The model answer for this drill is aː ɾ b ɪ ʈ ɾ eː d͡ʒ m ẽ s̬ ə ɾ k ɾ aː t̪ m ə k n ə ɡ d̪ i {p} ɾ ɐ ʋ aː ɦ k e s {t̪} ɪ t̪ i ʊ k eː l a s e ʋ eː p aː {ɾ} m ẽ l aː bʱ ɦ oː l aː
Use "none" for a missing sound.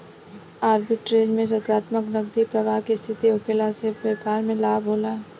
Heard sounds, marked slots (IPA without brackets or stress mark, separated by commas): p, t̪ʰ, ɾ